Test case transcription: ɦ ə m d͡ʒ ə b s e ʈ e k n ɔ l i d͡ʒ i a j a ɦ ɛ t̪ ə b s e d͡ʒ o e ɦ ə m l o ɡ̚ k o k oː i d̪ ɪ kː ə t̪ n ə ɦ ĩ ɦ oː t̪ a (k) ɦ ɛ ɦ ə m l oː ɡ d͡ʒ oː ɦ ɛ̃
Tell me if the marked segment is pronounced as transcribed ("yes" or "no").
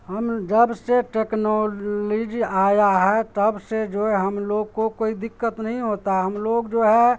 no